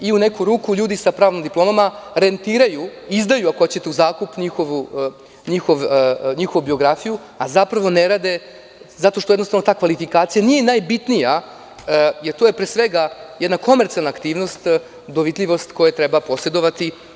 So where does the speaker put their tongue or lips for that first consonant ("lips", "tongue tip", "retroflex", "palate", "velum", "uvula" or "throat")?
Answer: tongue tip